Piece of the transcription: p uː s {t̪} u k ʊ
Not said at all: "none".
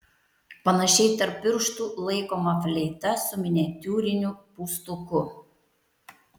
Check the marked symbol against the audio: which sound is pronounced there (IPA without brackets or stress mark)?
t̪